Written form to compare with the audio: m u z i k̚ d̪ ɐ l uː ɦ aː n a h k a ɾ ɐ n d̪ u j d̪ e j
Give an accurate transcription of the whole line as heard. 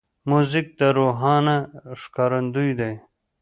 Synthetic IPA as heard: m u z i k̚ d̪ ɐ ɾ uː ɦ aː n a ʂ k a ɾ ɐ n d̪ u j d̪ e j

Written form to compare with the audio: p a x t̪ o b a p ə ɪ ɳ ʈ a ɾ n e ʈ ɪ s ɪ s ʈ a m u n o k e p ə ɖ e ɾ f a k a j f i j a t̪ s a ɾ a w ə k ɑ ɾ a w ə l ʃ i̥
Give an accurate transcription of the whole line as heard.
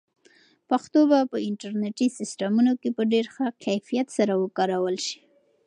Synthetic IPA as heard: p a x t̪ o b a p ə ɪ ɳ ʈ a ɾ n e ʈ i s ɪ s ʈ a m u n o k e p ə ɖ e ɾ x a k a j f i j a t̪ s a ɾ a w ə k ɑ ɾ a w ə l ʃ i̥

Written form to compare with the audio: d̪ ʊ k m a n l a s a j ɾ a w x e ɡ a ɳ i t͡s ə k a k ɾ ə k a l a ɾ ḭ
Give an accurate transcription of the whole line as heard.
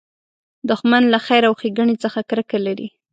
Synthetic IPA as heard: d̪ ʊ x m a n l a x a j ɾ a w x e ɡ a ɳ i t͡s ə x a k ɾ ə k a l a ɾ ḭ

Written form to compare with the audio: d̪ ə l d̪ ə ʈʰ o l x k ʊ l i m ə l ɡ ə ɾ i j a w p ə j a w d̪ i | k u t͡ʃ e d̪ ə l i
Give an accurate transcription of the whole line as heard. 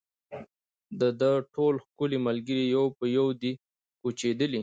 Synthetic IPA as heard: d̪ ə d̪ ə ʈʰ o l x k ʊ l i m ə l ɡ ə ɾ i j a w p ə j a w d̪ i | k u t͡ʃ e d̪ ə l i

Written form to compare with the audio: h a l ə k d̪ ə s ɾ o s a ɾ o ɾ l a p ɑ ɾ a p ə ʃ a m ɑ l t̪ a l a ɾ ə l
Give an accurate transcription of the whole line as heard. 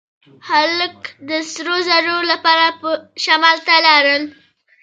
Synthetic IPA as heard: h a l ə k d̪ ə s ɾ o z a ɾ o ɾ l a p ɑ ɾ a p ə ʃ a m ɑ l t̪ a l a ɾ ə l

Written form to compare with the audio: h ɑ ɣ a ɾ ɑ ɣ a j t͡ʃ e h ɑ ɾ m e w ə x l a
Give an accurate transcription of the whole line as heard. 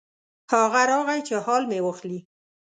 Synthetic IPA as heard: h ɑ ɣ a ɾ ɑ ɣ a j t͡ʃ e h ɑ l m e w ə x l i

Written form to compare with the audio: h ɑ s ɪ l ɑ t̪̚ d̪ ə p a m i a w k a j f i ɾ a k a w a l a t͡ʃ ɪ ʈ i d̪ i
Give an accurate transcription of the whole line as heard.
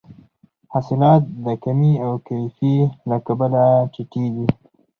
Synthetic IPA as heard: h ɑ s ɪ l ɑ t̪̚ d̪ ə k a m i a w k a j f i l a k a b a l a t͡ʃ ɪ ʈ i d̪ i

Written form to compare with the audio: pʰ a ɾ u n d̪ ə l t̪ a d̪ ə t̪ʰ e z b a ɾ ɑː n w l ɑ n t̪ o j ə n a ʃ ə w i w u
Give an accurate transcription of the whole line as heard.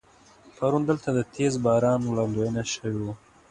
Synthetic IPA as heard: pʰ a ɾ u n d̪ ə l t̪ a d̪ ə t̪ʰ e z b ɑ ɾ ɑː n w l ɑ n d̪ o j ə n a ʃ ə w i w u

